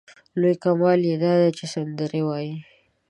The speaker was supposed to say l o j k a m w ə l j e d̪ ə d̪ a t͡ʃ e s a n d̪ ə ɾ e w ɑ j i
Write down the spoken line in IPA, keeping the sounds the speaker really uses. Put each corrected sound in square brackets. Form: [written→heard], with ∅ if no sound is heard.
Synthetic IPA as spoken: l o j k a m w [ə→ɑ] l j e d̪ [ə→ɑ] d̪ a t͡ʃ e s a n d̪ ə ɾ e w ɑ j i